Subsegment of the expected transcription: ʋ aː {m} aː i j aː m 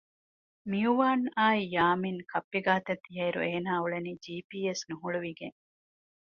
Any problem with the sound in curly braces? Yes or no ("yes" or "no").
yes